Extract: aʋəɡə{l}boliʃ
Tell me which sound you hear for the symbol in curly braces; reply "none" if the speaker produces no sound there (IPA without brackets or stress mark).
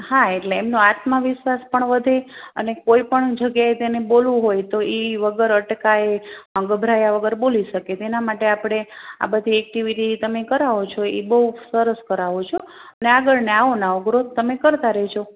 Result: ɾ